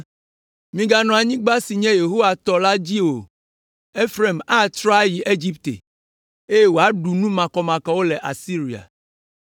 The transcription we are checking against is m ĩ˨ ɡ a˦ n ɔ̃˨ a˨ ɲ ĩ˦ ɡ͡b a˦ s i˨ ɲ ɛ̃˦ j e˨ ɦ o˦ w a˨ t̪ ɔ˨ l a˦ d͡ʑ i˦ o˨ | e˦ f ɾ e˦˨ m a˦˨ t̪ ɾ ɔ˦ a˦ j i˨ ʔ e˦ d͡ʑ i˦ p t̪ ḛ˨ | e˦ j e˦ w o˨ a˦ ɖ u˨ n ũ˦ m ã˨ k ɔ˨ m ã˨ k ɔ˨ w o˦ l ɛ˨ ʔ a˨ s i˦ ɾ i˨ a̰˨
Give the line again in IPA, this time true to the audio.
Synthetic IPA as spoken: m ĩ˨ ɡ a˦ n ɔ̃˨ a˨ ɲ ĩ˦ ɡ͡b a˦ s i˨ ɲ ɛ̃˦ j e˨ ɦ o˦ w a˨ t̪ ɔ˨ l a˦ d͡ʑ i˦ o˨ | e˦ f ɾ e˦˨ m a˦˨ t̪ ɾ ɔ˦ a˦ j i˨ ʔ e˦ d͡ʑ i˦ p t̪ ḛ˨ | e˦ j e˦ w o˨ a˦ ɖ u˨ n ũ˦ m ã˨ k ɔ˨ m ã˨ k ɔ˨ w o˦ l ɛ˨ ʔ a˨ s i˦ ɾ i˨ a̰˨